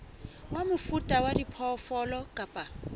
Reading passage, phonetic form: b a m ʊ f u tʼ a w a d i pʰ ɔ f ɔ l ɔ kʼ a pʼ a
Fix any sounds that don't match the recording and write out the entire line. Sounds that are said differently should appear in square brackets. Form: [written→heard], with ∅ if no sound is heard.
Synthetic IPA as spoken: [b→w] a m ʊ f u tʼ a w a d i pʰ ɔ f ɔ l ɔ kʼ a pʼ a